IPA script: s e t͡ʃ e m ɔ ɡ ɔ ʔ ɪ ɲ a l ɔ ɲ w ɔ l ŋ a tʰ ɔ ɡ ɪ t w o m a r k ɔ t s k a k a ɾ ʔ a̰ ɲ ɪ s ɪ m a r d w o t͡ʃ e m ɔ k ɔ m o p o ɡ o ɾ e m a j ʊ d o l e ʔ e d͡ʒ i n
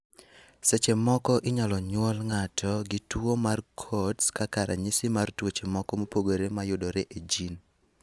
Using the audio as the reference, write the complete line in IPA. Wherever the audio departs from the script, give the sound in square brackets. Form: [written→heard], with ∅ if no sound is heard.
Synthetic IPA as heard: s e t͡ʃ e m ɔ [ɡ→k] ɔ ʔ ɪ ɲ a l ɔ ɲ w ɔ l ŋ a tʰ ɔ ɡ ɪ t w o m a r [k→kʰ] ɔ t s k a k a ɾ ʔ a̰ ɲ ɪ s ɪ m a r [d→t] w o t͡ʃ e m ɔ k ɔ m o p o ɡ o ɾ e m a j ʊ d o [l→ɾ] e ʔ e d͡ʒ i n